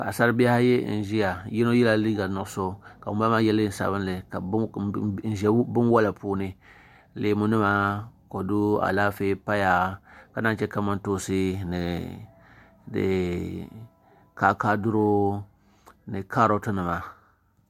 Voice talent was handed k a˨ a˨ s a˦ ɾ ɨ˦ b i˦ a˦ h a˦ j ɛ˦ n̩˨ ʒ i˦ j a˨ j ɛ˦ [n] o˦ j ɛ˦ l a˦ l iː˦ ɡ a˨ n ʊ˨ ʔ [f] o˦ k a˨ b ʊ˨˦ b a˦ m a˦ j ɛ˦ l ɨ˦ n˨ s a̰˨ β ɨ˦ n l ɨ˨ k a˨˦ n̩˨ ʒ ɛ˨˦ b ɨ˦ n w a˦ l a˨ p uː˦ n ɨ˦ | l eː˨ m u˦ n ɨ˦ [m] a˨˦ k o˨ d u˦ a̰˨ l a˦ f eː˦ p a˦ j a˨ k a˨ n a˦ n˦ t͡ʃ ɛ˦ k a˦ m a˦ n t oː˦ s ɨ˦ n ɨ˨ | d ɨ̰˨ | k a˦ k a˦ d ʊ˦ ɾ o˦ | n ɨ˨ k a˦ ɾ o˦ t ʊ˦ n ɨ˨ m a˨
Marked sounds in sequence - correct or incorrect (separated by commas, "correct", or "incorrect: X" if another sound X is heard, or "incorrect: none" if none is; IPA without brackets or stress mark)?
correct, incorrect: s, correct